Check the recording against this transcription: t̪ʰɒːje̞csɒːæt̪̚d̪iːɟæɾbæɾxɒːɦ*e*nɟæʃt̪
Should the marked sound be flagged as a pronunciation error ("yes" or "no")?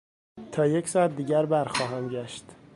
yes